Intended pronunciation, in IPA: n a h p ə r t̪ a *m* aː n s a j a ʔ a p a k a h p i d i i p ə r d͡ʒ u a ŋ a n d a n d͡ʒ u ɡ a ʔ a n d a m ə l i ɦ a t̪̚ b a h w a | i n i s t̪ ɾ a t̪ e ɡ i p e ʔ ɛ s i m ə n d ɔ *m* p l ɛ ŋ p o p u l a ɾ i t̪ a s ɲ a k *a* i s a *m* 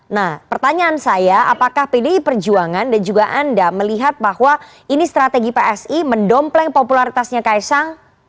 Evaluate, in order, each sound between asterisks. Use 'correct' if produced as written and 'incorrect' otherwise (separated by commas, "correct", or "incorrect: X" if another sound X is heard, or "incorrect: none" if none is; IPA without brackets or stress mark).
incorrect: ɲ, correct, correct, incorrect: ŋ